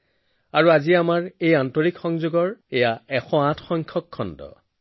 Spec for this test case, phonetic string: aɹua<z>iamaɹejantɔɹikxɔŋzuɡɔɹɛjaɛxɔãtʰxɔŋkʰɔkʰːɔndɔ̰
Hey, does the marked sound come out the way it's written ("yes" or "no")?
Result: yes